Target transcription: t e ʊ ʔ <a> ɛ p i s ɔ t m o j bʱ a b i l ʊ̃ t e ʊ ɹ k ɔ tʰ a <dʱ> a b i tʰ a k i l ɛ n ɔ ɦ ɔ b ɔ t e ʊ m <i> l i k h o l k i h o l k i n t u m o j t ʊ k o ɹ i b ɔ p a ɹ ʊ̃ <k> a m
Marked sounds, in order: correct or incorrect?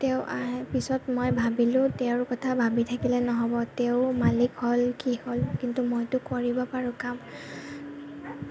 correct, incorrect, incorrect, correct

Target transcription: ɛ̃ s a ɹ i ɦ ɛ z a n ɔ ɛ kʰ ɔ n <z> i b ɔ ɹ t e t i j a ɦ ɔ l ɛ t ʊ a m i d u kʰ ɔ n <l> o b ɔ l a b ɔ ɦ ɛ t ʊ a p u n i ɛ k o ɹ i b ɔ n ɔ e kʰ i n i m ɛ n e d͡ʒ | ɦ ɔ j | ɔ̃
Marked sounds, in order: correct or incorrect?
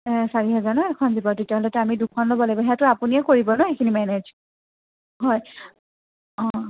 correct, correct

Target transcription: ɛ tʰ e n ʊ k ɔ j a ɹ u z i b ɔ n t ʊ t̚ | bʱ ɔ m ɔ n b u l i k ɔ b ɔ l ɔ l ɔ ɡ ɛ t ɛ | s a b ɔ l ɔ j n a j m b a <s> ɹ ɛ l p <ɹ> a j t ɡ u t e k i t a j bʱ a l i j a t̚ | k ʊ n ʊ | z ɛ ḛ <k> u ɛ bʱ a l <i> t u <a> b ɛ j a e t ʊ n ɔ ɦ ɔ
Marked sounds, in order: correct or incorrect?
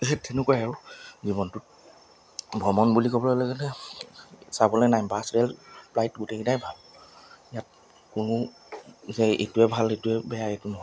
correct, incorrect, incorrect, incorrect, incorrect

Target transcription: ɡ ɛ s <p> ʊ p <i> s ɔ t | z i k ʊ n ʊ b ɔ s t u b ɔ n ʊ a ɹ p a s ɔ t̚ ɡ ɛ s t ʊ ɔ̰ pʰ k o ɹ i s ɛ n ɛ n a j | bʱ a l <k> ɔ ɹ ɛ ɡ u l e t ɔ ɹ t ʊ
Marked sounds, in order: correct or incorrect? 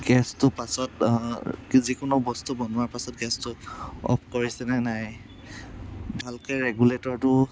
incorrect, incorrect, correct

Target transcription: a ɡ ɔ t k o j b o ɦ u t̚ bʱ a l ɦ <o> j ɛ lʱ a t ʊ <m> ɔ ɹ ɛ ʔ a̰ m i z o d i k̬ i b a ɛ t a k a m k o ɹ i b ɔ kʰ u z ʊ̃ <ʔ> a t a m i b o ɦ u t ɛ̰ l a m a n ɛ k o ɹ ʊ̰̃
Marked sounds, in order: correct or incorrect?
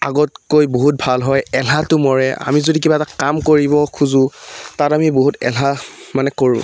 incorrect, correct, incorrect

